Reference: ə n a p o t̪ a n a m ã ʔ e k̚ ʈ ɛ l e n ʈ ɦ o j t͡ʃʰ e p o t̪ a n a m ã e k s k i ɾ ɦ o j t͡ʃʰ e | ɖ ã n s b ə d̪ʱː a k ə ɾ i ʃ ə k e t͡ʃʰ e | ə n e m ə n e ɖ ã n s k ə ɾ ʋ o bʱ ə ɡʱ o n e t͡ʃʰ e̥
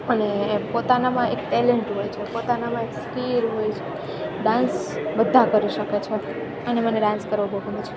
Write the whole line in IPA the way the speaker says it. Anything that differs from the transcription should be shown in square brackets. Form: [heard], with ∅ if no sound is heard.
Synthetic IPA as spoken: ə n [e] p o t̪ a n a m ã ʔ e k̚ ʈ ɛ l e [ɳ] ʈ ɦ o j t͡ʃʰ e p o t̪ a n a m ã e k s k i ɾ ɦ o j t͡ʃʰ e | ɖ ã n s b ə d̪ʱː a k ə ɾ i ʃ ə k e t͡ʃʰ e | ə n e m ə n e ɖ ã n s k ə ɾ ʋ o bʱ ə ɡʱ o n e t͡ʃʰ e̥